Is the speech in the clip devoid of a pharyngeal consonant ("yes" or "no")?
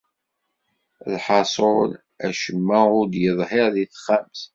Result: no